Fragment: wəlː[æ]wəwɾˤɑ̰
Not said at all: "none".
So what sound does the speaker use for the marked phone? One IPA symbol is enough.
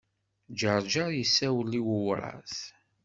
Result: i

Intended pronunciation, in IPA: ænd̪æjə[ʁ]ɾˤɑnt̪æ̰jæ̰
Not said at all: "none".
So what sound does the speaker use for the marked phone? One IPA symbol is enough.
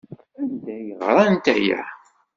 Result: ʁ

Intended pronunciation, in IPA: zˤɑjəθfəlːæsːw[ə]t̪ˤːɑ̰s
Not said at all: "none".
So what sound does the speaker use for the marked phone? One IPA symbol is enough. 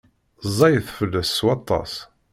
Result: ɑ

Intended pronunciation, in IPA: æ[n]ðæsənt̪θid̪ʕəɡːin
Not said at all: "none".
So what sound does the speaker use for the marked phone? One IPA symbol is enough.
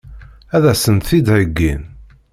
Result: none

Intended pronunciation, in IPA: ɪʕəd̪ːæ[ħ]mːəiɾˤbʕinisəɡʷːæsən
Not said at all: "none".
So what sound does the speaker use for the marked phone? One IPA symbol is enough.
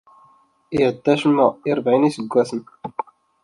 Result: ʃ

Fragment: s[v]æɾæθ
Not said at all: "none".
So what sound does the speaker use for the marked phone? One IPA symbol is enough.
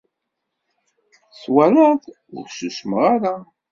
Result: w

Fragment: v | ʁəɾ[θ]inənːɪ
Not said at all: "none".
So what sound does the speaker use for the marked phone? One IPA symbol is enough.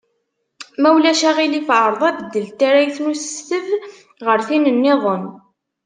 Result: θ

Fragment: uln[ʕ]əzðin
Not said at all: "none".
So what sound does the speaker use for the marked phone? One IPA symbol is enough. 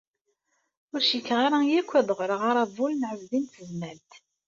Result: ʕ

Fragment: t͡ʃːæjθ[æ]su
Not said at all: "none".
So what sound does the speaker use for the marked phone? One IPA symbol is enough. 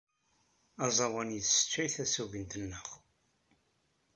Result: æ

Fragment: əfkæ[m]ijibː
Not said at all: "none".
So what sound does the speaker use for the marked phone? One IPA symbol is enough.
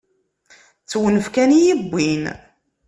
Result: n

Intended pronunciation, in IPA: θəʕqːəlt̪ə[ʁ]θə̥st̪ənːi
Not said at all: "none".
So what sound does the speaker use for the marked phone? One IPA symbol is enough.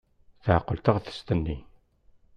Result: ʁ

